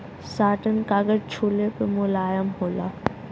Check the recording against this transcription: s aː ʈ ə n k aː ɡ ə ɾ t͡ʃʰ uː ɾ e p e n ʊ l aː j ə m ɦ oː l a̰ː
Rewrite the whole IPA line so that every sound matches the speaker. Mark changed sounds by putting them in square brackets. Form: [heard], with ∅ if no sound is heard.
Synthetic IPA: s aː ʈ ə n k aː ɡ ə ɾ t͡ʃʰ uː [l] e p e [m] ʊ l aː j ə m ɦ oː l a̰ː